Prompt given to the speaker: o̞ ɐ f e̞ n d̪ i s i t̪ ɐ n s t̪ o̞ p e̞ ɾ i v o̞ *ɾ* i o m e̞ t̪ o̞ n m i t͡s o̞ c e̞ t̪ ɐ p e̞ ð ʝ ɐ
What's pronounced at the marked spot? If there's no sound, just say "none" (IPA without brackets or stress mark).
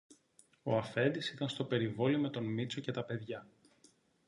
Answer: l